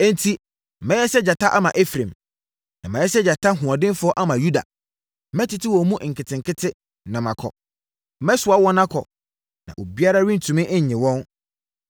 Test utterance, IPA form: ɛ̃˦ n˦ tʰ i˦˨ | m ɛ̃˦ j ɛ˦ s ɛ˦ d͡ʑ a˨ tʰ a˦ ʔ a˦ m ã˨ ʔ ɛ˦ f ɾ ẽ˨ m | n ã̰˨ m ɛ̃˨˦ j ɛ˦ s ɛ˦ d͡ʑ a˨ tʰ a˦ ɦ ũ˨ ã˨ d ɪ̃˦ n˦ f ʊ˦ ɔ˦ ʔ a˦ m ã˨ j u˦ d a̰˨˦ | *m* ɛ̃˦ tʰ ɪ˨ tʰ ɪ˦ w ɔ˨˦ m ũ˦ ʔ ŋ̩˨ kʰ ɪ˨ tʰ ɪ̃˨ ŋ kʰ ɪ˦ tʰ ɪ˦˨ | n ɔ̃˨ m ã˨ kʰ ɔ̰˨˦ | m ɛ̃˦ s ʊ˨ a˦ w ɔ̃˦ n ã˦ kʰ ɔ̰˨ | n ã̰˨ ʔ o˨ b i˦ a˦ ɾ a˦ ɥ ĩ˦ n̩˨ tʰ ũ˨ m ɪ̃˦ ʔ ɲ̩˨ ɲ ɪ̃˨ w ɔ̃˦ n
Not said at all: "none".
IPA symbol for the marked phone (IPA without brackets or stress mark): m